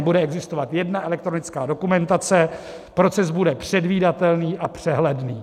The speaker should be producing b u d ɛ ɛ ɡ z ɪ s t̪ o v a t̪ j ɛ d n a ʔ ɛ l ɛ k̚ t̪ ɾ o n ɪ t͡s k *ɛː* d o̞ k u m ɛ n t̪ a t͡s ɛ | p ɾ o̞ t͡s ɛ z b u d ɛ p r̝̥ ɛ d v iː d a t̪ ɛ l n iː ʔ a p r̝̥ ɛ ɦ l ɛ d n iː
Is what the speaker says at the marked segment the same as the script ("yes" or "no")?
no